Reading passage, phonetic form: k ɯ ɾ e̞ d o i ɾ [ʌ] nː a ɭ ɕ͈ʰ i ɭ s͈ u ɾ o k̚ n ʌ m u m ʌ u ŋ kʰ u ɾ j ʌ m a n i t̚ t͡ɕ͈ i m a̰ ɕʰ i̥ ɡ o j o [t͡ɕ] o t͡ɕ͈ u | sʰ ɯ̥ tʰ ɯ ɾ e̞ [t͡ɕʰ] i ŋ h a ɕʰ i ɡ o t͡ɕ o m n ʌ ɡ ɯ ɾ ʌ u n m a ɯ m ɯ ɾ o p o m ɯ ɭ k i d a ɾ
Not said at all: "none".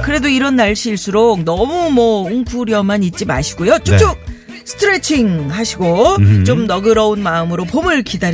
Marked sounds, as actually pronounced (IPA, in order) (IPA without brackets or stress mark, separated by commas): ʌ, t͡ɕ, t͡ɕʰ